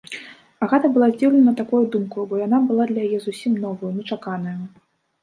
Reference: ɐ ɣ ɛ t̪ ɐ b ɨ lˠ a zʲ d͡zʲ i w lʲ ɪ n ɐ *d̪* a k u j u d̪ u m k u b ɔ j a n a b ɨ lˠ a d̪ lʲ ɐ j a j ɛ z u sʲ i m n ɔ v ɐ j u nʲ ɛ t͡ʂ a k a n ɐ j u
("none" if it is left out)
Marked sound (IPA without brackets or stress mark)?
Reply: t̪